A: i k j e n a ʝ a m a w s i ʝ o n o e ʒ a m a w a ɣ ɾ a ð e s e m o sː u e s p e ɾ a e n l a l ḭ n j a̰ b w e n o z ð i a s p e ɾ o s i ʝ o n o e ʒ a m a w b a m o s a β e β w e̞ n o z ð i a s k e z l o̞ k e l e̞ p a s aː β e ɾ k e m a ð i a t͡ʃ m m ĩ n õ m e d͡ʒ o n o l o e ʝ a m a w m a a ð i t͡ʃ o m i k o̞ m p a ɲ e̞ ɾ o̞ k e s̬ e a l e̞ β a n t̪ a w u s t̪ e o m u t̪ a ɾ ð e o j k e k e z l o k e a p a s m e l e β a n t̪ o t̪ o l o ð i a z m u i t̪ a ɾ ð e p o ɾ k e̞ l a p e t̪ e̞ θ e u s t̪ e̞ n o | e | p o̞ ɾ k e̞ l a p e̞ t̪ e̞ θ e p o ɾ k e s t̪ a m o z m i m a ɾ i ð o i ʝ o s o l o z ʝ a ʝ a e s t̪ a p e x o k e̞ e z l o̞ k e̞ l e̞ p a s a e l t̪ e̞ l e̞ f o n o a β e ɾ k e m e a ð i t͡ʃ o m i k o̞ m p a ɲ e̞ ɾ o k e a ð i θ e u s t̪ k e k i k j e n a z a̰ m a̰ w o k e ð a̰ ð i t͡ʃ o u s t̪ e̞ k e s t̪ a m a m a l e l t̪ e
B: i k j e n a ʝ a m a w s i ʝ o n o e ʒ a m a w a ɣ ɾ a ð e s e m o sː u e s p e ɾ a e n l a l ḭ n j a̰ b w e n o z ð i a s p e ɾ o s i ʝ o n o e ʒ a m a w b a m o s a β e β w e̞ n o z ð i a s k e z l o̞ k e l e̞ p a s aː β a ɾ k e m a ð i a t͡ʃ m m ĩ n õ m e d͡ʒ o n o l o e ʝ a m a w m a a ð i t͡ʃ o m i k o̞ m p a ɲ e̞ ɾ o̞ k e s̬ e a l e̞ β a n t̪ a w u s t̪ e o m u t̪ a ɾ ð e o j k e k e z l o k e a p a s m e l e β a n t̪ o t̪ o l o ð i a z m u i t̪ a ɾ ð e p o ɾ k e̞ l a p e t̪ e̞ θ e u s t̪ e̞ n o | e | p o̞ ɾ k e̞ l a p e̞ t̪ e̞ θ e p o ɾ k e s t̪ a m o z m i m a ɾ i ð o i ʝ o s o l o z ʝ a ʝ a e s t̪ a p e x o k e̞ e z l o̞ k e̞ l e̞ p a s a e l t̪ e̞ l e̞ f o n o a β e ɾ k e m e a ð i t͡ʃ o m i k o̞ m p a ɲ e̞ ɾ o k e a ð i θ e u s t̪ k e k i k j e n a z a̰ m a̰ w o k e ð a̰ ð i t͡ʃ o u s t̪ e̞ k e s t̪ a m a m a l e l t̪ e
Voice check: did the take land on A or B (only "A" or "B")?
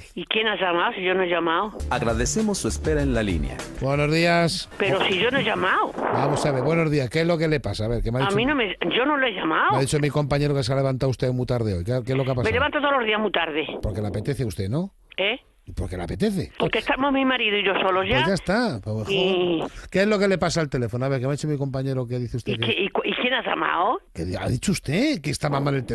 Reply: A